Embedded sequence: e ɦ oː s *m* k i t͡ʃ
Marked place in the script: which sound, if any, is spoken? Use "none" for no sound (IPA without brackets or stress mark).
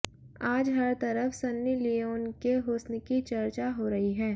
n